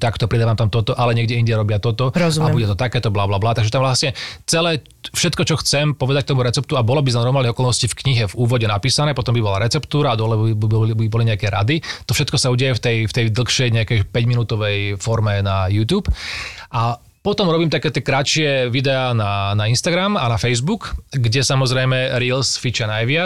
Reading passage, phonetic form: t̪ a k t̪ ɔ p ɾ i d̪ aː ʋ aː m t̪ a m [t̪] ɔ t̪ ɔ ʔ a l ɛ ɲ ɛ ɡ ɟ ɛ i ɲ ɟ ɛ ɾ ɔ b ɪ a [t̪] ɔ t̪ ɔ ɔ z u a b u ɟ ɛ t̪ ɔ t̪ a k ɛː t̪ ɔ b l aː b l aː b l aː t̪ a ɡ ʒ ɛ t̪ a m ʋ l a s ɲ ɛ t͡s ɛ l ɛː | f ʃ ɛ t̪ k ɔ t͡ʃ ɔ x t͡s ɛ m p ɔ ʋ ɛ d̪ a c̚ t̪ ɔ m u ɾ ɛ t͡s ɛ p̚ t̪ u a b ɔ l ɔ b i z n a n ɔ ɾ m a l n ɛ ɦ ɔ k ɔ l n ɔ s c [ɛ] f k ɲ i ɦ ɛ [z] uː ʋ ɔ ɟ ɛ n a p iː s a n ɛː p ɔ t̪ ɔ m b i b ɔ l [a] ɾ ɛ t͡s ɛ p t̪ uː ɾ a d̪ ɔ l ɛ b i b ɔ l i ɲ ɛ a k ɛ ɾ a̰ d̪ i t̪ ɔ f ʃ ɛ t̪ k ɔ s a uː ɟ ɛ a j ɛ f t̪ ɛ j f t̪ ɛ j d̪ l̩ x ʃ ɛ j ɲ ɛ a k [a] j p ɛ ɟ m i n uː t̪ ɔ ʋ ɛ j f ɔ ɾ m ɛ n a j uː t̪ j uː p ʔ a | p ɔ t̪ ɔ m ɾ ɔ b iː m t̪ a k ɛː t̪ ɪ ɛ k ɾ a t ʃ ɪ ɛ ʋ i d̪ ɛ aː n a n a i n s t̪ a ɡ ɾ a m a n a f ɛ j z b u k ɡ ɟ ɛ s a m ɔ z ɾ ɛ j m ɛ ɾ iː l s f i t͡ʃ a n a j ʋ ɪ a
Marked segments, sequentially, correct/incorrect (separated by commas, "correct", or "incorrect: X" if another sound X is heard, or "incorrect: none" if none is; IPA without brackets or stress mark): correct, correct, incorrect: i, incorrect: v, correct, incorrect: ɛ